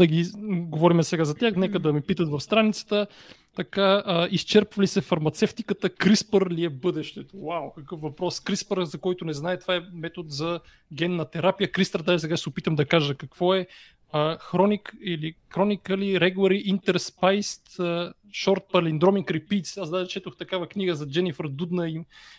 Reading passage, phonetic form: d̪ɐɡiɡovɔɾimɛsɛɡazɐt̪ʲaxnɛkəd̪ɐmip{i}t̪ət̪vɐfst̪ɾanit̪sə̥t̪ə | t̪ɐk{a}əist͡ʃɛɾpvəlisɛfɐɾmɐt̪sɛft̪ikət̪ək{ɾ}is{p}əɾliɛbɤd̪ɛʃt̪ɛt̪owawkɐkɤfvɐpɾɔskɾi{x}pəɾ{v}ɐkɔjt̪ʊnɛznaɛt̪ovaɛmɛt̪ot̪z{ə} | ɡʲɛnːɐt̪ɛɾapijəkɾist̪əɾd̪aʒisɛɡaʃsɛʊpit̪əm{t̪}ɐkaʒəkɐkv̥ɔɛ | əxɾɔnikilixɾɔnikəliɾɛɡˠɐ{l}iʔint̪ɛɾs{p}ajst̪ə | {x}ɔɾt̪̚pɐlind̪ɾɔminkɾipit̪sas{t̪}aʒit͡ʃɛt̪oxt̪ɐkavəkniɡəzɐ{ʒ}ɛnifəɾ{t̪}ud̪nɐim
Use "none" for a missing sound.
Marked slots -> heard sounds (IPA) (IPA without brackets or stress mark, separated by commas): i, a, ɾ, p, s, z, ɐ, d̪, ɾ, p, ʃ, d̪, d͡ʒ, d̪